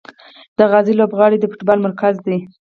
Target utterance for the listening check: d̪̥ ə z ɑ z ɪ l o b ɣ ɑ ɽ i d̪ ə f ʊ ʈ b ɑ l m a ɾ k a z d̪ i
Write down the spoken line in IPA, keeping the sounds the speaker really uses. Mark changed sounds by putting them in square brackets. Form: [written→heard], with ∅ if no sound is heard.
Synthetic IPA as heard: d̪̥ ə [z→ɣ] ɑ z [ɪ→i] l o b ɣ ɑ ɽ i d̪ ə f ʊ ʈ b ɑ l m a ɾ k a z d̪ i